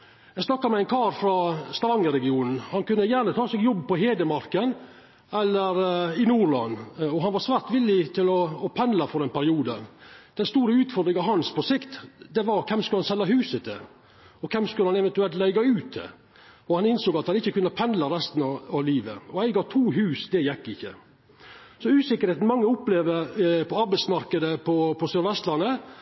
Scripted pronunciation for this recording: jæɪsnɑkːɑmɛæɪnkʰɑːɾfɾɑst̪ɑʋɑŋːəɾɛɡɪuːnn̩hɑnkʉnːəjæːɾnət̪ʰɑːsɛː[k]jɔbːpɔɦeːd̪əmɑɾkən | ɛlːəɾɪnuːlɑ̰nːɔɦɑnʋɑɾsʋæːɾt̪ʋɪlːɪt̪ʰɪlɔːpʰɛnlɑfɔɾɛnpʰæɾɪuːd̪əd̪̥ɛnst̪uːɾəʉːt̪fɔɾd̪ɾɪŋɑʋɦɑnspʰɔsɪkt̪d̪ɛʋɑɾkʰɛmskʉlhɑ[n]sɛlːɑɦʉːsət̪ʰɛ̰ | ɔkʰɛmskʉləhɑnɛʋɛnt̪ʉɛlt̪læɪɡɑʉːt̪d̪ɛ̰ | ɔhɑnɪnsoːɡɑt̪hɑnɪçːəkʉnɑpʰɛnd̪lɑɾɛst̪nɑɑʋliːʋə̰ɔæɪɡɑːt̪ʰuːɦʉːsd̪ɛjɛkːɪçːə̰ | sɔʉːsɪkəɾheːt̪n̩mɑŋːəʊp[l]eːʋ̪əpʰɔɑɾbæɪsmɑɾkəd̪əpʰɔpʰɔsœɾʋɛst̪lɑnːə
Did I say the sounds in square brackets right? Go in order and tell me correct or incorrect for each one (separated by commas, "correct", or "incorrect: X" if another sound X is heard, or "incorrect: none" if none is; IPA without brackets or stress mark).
incorrect: ɡ, correct, correct